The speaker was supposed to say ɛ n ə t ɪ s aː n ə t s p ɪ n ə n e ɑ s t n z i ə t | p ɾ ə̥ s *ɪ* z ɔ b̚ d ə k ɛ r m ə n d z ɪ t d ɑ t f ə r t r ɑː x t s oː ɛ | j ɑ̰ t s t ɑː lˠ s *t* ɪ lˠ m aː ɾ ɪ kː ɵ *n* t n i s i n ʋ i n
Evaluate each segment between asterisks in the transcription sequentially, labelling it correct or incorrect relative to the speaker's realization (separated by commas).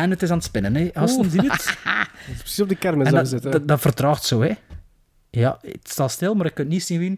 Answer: incorrect, correct, correct